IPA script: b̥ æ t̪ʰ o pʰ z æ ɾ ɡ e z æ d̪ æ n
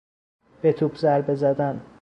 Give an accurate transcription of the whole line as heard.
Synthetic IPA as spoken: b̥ e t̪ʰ u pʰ z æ ɾ b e z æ d̪ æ n